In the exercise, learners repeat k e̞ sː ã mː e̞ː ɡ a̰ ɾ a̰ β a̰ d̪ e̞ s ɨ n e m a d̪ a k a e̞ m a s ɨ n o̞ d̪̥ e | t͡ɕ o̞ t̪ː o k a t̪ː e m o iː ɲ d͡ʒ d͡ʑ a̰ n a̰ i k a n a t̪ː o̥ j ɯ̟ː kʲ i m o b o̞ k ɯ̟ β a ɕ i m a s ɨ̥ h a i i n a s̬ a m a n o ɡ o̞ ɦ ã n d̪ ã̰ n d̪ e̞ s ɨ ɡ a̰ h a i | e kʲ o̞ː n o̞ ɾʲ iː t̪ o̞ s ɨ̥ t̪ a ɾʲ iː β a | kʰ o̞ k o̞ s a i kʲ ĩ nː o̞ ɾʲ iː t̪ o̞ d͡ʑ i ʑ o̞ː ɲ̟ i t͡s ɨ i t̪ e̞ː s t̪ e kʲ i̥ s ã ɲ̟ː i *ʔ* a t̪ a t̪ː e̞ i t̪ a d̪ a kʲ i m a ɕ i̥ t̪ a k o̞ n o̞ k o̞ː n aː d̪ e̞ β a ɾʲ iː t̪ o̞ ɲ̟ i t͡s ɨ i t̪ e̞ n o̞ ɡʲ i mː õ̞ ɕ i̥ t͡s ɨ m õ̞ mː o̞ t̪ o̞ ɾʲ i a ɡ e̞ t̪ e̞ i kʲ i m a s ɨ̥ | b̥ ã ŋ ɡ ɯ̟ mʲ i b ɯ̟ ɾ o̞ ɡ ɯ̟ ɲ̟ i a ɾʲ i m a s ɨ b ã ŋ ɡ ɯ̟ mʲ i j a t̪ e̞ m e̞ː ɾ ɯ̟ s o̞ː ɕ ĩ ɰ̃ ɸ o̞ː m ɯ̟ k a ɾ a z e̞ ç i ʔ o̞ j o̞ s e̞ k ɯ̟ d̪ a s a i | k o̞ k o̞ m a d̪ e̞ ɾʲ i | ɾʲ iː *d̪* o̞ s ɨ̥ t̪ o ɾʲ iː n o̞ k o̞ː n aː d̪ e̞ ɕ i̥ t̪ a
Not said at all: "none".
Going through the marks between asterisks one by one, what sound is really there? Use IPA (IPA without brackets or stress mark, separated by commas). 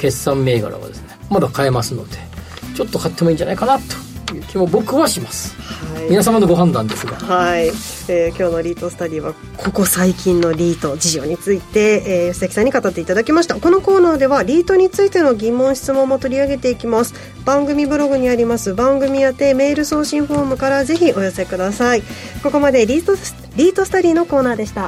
k, t̪